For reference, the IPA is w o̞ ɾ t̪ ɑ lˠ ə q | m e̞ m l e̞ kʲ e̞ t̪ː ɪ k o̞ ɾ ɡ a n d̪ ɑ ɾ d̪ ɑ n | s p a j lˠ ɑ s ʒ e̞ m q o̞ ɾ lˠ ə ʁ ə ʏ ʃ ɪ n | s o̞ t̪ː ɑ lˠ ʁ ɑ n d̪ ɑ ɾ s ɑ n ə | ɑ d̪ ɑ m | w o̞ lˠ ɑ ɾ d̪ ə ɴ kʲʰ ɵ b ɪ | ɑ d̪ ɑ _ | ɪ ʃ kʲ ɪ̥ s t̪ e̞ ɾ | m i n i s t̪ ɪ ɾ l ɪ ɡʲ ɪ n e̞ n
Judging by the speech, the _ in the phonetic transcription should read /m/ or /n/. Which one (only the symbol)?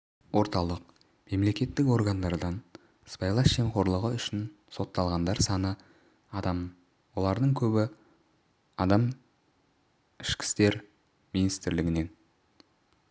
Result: m